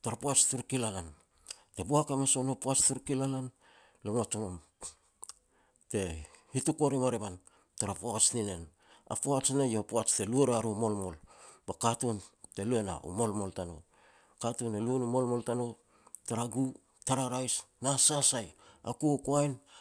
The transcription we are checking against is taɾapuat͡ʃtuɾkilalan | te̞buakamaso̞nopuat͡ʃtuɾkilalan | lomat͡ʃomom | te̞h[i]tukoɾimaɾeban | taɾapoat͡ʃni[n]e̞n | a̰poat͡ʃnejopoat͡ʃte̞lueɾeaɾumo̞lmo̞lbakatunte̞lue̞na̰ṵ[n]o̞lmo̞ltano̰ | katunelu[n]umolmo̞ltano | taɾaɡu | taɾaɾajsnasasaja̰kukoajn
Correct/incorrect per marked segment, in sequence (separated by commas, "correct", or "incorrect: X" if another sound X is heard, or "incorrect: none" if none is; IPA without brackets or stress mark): correct, correct, incorrect: m, correct